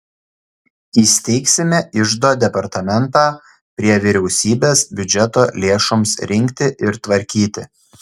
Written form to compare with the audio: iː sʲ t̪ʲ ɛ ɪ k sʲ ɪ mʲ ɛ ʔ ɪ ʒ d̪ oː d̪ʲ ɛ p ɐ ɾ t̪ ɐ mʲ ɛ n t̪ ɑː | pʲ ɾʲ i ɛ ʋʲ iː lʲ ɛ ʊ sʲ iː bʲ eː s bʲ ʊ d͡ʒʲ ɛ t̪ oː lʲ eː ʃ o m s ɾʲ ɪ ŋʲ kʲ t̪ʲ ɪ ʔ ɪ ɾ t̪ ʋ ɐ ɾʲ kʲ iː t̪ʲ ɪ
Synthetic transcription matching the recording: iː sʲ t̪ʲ ɛ ɪ k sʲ ɪ mʲ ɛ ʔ ɪ ʒ d̪ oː d̪ʲ ɛ p ɐ ɾ t̪ ɐ mʲ ɛ n t̪ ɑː | pʲ ɾʲ i ɛ ʋʲ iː ɾʲ ɛ ʊ sʲ iː bʲ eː s bʲ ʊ d͡ʒʲ ɛ t̪ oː lʲ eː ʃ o m s ɾʲ ɪ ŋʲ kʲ t̪ʲ ɪ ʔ ɪ ɾ t̪ ʋ ɐ ɾʲ kʲ iː t̪ʲ ɪ